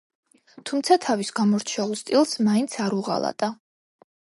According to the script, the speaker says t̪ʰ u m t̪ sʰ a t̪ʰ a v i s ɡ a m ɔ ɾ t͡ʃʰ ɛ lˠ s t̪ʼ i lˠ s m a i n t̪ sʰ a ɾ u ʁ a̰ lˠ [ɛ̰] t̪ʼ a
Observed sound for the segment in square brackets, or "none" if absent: a̰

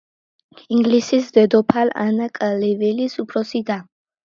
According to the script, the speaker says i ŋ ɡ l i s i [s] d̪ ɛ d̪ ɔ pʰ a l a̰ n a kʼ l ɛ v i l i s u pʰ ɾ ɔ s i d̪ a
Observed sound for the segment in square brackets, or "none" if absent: s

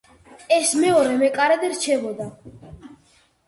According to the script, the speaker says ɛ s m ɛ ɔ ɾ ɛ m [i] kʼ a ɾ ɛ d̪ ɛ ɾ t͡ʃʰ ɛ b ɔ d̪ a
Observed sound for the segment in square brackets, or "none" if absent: ɛ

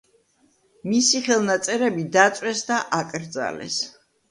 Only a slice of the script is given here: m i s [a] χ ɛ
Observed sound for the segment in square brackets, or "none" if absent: i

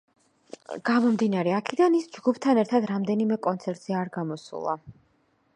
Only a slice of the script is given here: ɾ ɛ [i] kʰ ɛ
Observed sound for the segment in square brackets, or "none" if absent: a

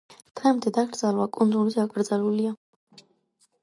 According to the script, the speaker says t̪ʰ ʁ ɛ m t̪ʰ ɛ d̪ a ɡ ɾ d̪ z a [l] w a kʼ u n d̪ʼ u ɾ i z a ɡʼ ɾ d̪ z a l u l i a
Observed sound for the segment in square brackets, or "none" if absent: l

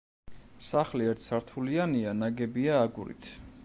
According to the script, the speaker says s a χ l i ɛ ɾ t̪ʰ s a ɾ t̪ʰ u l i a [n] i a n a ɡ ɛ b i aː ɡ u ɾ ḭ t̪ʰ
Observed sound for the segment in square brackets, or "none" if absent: n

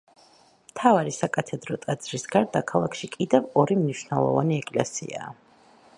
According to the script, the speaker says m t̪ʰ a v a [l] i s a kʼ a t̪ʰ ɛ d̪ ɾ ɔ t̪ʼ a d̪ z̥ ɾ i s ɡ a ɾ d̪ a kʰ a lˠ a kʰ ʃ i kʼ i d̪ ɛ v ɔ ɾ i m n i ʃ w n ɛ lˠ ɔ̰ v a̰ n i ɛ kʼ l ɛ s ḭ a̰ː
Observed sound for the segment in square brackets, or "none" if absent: ɾ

